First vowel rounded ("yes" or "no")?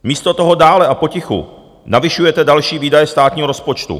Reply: no